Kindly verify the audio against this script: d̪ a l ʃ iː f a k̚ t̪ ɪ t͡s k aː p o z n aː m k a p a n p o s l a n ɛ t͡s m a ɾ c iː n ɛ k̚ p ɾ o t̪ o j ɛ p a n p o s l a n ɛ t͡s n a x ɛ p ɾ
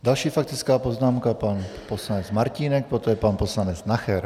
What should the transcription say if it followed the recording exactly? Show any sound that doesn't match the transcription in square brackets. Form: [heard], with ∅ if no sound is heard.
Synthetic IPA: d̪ a l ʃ iː f a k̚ t̪ ɪ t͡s k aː p o z n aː m k a p a n p o s l a n ɛ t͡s m a ɾ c iː n ɛ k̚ p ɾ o t̪ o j ɛ p a n p o s l a n ɛ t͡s n a x ɛ [∅] ɾ

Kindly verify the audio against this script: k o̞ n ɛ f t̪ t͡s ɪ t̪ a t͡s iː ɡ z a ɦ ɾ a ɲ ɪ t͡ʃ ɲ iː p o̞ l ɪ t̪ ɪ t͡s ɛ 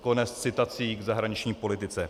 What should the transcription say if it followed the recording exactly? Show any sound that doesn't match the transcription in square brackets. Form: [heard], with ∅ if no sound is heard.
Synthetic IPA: k o̞ n ɛ [s] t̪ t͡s ɪ t̪ a t͡s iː ɡ z a ɦ ɾ a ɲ ɪ t͡ʃ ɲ iː p o̞ l ɪ t̪ ɪ t͡s ɛ

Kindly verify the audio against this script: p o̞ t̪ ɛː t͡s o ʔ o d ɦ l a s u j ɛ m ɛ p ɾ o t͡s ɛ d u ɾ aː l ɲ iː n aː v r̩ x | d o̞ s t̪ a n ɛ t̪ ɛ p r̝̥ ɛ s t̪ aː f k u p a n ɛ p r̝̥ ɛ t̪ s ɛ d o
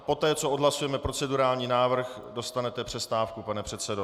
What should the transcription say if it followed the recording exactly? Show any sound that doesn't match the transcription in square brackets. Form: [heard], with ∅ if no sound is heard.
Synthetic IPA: p o̞ t̪ ɛː t͡s o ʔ o d ɦ l a s u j ɛ m ɛ p ɾ o t͡s ɛ d u ɾ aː l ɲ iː n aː v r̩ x | d o̞ s t̪ a n ɛ t̪ ɛ p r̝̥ ɛ s t̪ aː f k u p a n ɛ p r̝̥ ɛ t̪ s ɛ d o

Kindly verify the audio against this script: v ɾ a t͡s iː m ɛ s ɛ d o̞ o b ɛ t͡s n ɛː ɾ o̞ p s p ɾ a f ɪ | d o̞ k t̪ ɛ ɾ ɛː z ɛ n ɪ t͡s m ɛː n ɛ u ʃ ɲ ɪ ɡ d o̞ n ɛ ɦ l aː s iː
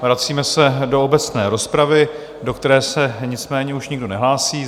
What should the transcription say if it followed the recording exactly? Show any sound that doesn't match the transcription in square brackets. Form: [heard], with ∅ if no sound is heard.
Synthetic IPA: v ɾ a t͡s iː m ɛ s ɛ d o̞ o b ɛ t͡s n ɛː ɾ o̞ [∅] s p ɾ a [v] ɪ | d o̞ k t̪ ɛ ɾ ɛː [s] ɛ [ɲ] ɪ t͡s m ɛː [ɲ] ɛ u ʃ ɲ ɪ ɡ d o̞ n ɛ ɦ l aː s iː

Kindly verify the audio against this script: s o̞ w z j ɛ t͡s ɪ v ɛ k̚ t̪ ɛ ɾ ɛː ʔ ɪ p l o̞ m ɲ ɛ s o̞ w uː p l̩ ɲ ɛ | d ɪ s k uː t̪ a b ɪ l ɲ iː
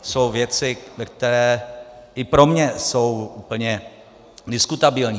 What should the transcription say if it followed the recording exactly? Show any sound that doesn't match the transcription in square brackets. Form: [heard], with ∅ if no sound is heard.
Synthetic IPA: s o̞ w [v] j ɛ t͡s ɪ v ɛ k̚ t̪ ɛ ɾ ɛː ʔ ɪ p [ɾ] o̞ m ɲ ɛ s o̞ w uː p l̩ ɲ ɛ | d ɪ s k [u] t̪ a b ɪ l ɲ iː

